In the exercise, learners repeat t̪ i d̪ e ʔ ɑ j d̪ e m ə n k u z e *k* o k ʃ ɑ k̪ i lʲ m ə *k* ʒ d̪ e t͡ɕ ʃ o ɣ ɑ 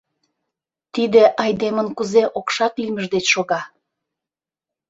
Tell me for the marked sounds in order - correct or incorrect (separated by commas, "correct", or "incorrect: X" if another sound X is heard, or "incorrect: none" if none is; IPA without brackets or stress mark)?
incorrect: ʔ, incorrect: none